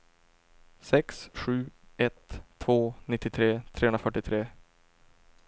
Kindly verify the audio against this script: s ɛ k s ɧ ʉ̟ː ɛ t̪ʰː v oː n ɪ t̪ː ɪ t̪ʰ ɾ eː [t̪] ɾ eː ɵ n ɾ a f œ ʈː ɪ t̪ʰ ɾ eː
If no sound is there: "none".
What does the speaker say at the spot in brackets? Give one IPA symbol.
t̪ʰ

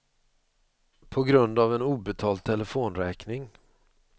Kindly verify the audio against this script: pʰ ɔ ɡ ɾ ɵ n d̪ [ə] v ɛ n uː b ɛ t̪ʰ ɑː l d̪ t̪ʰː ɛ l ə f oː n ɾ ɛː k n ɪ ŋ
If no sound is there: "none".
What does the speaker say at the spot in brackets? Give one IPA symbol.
a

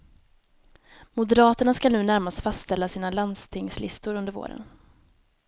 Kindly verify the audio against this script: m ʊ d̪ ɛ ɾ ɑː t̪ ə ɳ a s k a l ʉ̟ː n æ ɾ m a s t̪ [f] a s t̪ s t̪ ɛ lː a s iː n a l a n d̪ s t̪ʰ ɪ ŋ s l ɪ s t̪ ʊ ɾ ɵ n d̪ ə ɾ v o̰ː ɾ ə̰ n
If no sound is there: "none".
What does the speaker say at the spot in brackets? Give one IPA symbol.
f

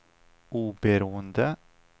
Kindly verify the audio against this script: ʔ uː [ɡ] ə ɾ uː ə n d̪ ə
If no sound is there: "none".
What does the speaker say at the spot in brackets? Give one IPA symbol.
b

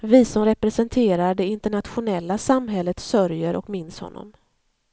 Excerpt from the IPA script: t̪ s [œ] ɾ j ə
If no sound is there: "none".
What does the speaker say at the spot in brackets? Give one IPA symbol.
œ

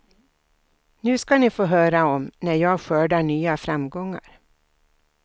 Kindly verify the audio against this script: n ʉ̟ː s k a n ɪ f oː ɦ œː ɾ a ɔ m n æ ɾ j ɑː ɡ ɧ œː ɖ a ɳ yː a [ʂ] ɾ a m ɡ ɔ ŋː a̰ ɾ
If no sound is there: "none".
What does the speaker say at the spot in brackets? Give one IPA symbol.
f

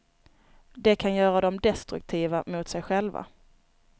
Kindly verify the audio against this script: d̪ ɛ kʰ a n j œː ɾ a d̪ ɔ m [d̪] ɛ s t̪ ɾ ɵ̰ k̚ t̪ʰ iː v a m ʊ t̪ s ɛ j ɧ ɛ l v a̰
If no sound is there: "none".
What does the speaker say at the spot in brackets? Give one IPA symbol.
d̪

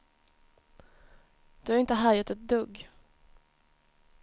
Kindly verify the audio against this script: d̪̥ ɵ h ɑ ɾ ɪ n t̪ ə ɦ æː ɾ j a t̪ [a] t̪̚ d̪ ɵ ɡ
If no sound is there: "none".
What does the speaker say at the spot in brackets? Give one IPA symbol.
ɛ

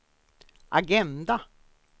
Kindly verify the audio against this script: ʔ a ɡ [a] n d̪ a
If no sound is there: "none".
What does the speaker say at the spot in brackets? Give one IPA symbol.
ɛ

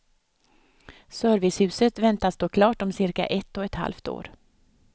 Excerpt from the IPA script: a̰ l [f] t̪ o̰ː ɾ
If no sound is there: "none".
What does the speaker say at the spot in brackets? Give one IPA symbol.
f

